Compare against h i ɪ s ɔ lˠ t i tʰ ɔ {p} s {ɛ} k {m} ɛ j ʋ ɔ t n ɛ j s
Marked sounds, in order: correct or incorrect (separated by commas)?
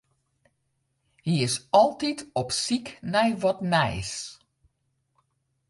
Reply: correct, incorrect, incorrect